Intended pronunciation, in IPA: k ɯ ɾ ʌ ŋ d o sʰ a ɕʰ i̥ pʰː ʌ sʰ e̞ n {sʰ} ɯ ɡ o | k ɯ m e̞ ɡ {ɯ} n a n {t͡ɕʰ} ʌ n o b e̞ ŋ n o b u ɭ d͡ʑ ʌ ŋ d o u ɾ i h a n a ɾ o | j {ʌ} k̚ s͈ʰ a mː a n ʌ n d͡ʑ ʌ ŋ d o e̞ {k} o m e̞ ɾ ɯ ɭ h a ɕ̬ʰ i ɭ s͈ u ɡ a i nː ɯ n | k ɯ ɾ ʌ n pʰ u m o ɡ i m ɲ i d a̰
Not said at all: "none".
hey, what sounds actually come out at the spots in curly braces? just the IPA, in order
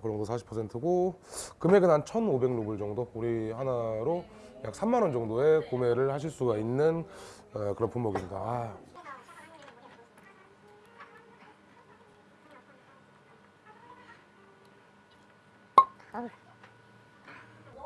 tʰ, ɯ, t͡ɕʰ, a, k

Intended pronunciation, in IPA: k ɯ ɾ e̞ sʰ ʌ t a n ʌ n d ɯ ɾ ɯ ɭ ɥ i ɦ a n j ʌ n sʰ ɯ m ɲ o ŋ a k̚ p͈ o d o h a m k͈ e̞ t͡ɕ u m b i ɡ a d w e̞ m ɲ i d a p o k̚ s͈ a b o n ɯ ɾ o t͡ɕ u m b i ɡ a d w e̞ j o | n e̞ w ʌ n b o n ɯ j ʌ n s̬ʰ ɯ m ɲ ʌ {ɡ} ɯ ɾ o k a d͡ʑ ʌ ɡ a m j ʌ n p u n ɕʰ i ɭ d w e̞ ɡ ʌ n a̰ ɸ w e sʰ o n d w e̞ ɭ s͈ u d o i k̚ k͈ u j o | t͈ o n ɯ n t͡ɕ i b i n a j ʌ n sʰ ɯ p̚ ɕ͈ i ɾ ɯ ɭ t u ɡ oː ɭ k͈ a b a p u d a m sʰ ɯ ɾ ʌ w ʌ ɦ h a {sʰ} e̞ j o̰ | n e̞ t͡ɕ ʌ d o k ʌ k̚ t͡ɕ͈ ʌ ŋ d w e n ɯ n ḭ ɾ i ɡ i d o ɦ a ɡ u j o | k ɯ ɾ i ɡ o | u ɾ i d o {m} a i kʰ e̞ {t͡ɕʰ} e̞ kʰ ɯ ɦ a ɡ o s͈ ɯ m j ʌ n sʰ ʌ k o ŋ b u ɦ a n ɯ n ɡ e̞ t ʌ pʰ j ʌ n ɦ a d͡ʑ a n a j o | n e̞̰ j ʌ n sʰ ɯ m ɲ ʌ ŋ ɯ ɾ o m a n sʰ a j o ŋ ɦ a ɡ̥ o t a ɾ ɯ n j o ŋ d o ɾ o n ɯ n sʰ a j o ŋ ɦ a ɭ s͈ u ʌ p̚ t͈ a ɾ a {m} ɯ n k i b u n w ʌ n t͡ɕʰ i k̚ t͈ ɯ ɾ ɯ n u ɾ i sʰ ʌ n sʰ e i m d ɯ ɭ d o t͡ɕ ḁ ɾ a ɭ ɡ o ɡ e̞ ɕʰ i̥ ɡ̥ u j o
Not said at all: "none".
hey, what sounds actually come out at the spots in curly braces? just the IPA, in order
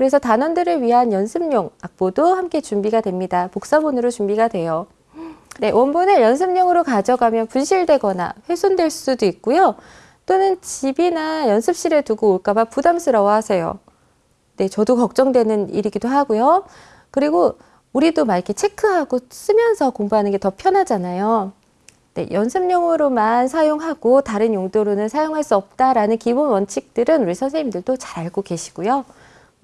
ŋ, sʰ, m, t͡ɕʰ, n

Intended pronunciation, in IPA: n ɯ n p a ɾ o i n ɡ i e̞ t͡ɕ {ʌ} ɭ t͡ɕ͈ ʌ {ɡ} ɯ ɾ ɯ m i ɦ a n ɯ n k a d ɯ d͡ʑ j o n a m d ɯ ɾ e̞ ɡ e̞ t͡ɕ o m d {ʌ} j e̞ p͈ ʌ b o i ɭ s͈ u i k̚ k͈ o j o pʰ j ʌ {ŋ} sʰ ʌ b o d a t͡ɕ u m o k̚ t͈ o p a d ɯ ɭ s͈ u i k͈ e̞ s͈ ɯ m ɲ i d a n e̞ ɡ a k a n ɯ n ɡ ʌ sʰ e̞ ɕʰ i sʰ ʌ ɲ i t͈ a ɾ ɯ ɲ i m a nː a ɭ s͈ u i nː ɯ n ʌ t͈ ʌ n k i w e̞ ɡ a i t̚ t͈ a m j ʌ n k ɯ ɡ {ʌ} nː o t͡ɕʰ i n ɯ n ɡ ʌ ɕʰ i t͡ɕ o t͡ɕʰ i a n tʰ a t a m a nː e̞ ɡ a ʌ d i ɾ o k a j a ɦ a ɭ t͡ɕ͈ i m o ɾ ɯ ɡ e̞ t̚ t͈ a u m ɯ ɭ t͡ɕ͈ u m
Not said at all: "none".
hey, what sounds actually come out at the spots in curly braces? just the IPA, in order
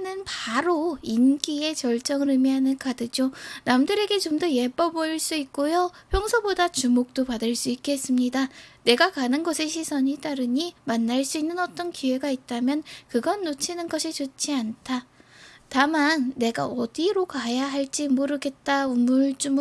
ʌ, ŋ, ʌ, ŋ, ʌ

